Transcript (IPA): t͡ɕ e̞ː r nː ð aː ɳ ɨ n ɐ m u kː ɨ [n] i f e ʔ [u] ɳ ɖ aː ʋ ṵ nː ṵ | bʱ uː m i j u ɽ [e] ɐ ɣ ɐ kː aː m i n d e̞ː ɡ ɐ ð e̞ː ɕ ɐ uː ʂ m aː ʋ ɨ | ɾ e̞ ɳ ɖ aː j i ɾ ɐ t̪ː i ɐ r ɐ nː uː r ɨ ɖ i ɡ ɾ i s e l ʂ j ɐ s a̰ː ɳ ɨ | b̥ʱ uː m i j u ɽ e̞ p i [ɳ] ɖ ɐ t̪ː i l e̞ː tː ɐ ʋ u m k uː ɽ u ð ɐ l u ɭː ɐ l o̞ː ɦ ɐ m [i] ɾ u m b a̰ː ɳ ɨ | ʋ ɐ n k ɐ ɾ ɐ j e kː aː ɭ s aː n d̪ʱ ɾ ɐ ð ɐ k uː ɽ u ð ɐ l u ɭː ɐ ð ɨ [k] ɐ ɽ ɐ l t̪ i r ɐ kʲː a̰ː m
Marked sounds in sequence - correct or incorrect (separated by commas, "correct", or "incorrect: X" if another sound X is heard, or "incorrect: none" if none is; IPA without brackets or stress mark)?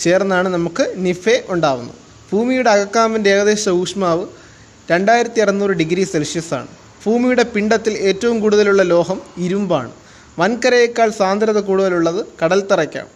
correct, correct, correct, correct, correct, correct